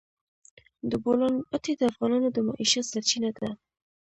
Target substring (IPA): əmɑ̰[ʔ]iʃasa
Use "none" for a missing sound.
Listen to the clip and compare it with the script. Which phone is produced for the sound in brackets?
ʔ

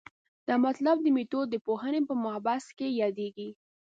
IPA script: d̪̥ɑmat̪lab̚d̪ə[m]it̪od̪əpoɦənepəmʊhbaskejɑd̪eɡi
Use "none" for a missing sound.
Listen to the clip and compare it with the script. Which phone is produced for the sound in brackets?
m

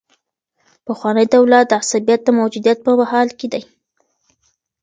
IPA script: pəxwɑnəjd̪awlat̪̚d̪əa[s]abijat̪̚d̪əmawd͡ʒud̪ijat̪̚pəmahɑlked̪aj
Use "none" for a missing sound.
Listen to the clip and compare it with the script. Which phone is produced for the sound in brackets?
s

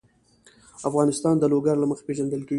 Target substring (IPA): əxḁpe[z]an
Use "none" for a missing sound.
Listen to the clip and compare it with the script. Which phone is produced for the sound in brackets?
ʒ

